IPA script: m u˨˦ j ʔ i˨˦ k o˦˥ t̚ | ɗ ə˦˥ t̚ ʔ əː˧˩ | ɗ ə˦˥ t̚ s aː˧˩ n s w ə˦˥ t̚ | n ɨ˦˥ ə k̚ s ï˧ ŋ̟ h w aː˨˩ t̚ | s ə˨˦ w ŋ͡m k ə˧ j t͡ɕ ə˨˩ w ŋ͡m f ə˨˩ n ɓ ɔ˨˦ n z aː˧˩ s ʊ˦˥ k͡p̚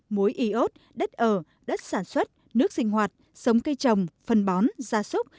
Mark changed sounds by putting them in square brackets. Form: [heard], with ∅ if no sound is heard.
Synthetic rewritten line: m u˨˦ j ʔ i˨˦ [ʔ] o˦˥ t̚ | ɗ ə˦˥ t̚ ʔ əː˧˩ | ɗ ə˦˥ t̚ s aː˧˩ n s w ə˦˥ t̚ | n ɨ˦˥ ə k̚ s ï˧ ŋ̟ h w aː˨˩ t̚ | s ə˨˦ w ŋ͡m k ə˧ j t͡ɕ ə˨˩ w ŋ͡m f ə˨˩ n ɓ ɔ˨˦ n z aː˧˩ s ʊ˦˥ k͡p̚